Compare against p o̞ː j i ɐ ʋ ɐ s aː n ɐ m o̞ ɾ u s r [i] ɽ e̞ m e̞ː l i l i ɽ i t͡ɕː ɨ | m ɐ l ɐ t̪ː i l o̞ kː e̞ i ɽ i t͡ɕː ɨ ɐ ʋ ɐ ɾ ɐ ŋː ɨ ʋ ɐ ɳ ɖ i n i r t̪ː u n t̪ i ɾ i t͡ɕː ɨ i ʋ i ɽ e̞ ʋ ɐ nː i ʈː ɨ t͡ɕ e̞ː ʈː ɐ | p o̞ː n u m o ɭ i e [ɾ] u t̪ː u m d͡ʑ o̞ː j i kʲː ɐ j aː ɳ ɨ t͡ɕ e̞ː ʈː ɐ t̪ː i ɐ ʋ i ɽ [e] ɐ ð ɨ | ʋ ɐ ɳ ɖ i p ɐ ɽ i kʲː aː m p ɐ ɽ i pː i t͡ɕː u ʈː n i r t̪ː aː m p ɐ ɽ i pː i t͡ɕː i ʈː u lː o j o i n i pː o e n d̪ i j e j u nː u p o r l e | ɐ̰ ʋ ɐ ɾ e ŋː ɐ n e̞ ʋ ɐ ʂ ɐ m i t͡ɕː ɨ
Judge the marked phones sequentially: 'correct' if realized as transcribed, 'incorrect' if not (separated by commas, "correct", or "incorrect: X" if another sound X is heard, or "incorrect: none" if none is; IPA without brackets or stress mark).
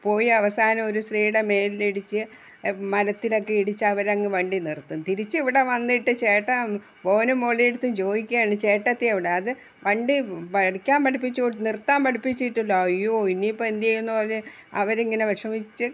incorrect: iː, incorrect: ɽ, correct